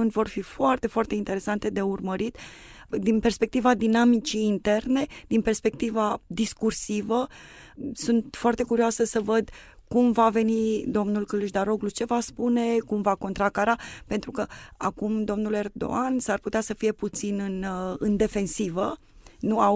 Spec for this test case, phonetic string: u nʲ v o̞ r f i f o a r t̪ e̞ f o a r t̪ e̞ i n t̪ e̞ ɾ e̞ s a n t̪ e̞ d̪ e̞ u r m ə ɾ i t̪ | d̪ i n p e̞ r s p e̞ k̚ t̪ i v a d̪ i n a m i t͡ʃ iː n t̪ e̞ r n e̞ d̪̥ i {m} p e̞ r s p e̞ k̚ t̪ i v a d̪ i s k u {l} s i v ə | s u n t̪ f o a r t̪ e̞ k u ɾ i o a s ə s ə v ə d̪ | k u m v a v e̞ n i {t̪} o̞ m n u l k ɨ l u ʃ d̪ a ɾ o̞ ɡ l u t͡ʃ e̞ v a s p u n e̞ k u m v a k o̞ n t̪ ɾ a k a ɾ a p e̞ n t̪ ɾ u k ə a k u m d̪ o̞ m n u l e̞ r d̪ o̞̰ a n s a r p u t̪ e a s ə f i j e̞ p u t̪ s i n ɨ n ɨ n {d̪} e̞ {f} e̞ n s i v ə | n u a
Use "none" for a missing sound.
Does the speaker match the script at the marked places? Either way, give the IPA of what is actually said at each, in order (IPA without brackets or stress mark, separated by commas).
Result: n, r, d̪, d̪, f